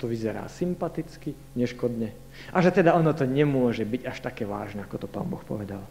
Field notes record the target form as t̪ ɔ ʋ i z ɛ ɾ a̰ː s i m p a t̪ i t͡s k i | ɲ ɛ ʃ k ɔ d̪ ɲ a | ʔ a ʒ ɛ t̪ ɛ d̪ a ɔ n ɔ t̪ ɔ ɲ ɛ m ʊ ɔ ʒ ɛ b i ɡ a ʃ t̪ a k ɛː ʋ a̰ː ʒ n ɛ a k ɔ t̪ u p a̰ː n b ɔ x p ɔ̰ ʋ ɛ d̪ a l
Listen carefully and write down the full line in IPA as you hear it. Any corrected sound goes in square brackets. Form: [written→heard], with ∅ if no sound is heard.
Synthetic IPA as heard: t̪ ɔ ʋ i z ɛ ɾ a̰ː s i m p a t̪ i t͡s k i | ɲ ɛ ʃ k ɔ d̪ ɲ [a→ɛ] | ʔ a ʒ ɛ t̪ ɛ d̪ a ɔ n ɔ t̪ ɔ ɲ ɛ m ʊ ɔ ʒ ɛ b i [ɡ→ɟ] a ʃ t̪ a k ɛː ʋ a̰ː ʒ n ɛ a k ɔ t̪ [u→ɔ] p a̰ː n b ɔ x p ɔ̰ ʋ ɛ d̪ a l